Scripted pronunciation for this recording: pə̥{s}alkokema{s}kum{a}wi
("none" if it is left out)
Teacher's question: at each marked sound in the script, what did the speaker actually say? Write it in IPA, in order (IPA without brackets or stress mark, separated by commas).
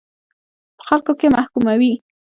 x, h, a